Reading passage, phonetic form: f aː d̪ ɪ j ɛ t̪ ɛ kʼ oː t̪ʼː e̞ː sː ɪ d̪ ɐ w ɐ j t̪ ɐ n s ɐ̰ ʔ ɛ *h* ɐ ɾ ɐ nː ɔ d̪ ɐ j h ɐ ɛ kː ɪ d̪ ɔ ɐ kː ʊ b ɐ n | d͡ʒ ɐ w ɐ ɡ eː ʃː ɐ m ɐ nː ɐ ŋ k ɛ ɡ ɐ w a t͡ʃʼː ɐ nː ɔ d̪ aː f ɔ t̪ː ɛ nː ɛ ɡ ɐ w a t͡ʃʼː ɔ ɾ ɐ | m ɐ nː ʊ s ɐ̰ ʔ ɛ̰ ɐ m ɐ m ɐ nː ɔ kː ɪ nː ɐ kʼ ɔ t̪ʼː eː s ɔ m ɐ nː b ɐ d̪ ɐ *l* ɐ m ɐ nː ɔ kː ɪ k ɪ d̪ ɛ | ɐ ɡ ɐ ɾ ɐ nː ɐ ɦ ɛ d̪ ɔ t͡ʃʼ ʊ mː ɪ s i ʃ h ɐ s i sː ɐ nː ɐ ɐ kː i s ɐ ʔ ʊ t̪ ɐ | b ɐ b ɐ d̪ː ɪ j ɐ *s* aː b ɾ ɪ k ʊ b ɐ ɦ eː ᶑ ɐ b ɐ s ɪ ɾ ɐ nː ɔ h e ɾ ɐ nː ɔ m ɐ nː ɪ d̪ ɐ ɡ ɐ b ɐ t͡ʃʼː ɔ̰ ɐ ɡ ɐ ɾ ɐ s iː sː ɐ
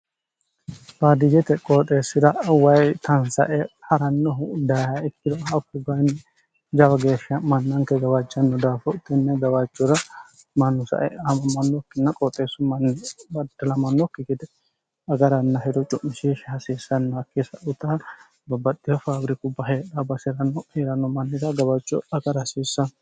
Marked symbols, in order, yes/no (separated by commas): yes, yes, no